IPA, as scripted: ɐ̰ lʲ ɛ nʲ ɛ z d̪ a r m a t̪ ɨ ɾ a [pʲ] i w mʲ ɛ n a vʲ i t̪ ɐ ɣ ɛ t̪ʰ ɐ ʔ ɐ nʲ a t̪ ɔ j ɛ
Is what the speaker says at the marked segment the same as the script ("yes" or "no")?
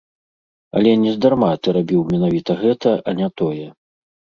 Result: no